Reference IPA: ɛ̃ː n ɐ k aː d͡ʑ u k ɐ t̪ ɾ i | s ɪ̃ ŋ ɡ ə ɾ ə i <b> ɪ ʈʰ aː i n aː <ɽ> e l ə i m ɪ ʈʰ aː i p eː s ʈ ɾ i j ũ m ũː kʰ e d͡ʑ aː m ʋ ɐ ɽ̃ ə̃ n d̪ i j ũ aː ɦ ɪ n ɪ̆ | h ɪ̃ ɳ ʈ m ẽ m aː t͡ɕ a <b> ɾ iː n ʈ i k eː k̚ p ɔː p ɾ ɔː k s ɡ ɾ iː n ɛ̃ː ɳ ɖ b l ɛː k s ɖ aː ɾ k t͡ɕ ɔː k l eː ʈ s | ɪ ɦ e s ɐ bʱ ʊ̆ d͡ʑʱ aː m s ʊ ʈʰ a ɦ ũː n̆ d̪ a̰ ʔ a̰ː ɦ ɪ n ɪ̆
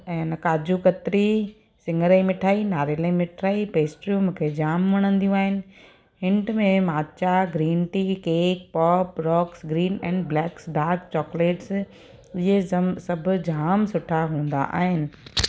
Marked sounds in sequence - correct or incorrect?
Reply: incorrect: m, incorrect: ɾ, incorrect: ɡ

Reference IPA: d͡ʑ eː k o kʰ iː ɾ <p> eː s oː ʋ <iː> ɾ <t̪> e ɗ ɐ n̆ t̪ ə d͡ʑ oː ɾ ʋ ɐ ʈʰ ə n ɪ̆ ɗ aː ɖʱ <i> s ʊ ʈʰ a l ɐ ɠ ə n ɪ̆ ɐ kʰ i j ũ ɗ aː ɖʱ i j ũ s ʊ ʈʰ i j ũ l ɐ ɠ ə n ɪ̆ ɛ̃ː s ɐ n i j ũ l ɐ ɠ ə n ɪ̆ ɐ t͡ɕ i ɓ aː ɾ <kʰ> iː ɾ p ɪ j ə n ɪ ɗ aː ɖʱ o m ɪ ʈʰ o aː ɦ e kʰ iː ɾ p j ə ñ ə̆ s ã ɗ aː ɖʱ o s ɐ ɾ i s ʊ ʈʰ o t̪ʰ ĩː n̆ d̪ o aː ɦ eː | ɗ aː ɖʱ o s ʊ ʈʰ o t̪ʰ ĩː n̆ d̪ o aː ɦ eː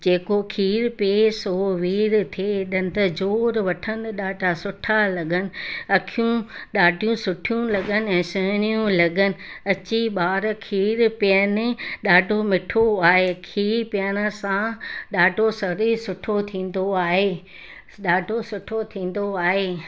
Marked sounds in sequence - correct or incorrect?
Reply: correct, correct, incorrect: t̪ʰ, incorrect: a, correct

